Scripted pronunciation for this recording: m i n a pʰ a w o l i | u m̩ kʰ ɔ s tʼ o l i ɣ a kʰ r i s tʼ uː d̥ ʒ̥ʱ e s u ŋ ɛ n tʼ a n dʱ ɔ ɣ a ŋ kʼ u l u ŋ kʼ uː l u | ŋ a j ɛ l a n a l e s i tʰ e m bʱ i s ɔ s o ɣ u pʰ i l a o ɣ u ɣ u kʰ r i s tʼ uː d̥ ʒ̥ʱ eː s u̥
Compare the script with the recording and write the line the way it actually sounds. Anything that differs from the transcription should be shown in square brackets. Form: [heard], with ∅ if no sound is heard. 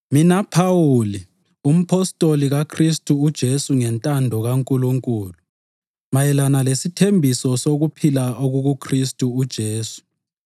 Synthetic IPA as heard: m i n a pʰ a w [u] l i | u m̩ [pʰ] ɔ s tʼ o l i ɣ a kʰ r i s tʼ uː d̥ ʒ̥ʱ e s u ŋ ɛ n tʼ a n dʱ ɔ ɣ a ŋ kʼ u l u ŋ kʼ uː l u | [m] a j ɛ l a n a l e s i tʰ e m bʱ i s ɔ s o ɣ u pʰ i l a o ɣ u ɣ u kʰ r i s tʼ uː d̥ ʒ̥ʱ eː s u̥